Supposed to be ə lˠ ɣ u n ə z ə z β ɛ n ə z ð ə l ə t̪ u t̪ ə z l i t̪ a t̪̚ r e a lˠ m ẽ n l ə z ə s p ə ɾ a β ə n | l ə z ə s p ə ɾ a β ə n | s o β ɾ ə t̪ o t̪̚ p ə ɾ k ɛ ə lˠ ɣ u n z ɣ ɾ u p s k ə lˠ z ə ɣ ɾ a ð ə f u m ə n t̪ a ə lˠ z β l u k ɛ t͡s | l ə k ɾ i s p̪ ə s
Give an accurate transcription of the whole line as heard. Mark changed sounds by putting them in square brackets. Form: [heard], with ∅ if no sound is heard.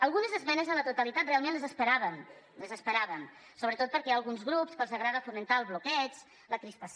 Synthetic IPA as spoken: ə lˠ ɣ u n ə z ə z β ɛ n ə z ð ə l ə t̪ u t̪ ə [∅] l i t̪ a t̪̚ r e a lˠ m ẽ n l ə z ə s p ə ɾ a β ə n | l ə z ə s p ə ɾ a β ə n | s o β ɾ ə t̪ o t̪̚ p ə ɾ k ɛ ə lˠ ɣ u n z ɣ ɾ u p s k ə lˠ z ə ɣ ɾ a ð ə f u m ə n t̪ a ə lˠ z β l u k ɛ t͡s | l ə k ɾ i s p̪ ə s